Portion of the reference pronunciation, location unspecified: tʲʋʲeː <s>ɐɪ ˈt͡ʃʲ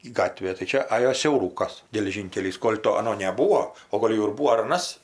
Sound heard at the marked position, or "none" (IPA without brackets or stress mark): t